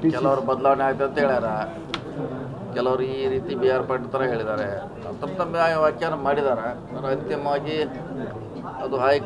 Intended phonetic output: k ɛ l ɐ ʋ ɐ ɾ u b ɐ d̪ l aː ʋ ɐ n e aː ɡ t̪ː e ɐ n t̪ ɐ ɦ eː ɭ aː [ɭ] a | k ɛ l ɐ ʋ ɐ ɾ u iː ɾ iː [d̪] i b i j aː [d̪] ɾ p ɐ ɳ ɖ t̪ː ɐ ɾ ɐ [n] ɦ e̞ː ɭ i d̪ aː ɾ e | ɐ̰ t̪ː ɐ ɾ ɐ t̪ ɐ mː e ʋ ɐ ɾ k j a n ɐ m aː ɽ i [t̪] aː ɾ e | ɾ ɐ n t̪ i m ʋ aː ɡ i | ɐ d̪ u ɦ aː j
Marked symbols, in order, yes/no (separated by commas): no, no, no, no, no